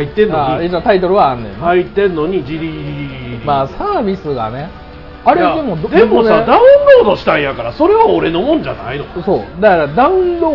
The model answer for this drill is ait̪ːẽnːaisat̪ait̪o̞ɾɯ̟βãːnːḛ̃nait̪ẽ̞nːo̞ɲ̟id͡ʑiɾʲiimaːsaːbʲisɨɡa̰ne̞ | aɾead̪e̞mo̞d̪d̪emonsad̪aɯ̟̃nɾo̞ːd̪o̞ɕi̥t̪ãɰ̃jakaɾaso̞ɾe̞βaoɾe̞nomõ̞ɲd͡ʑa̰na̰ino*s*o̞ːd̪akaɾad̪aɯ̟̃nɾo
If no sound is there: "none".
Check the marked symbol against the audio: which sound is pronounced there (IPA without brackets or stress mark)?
s